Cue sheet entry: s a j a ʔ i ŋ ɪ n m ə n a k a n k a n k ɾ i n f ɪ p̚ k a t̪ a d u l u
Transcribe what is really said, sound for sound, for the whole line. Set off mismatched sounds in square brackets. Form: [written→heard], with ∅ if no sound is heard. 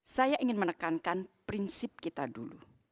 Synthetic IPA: s a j a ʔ i ŋ ɪ n m ə n [a→ə] k a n k a n [k→p] ɾ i n [f→s] ɪ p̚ k [a→i] t̪ a d u l u